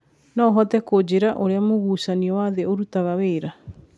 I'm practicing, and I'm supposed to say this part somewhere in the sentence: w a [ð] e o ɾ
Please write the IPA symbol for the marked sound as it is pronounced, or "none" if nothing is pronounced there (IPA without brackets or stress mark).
ð